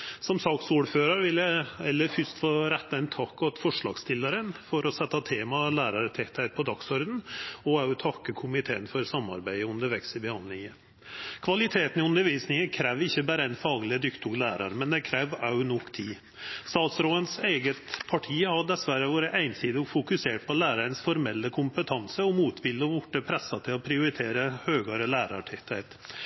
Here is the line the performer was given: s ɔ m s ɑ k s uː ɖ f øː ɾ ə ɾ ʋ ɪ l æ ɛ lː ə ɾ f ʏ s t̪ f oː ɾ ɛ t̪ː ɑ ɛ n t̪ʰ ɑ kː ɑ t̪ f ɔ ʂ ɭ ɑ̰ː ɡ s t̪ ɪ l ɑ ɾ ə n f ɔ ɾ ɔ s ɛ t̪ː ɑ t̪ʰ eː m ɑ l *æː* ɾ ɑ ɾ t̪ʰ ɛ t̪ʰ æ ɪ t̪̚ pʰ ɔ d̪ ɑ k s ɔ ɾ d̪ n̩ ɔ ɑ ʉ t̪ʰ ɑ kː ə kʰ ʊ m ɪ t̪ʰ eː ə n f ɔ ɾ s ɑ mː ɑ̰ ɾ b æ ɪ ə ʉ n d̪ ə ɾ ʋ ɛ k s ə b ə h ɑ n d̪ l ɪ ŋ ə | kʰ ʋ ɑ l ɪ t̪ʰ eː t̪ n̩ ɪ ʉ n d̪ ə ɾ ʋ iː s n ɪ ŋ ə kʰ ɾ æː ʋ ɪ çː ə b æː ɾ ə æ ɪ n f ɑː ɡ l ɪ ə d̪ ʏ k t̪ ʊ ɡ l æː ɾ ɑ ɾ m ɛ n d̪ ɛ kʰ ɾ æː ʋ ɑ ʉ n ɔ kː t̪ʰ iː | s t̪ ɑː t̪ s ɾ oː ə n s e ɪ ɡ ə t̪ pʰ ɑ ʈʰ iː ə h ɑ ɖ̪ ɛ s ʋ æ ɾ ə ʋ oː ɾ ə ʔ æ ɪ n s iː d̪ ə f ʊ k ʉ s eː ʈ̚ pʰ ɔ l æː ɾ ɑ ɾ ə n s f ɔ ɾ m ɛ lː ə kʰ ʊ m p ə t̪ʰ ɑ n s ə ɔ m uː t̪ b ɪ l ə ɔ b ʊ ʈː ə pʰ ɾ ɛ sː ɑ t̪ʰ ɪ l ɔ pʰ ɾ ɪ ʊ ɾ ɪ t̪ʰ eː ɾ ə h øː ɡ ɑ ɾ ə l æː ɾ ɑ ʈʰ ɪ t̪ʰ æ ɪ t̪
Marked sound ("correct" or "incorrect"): correct